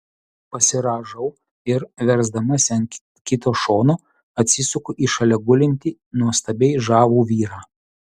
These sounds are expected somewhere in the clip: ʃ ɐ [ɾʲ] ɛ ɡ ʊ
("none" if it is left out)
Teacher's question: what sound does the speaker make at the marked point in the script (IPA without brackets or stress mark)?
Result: lʲ